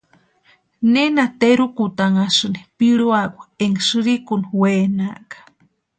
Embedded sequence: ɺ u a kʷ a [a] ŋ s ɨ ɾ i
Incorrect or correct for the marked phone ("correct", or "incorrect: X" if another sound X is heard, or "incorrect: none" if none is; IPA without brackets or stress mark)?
incorrect: e